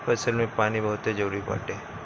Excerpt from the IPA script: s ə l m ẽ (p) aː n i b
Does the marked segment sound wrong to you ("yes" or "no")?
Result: no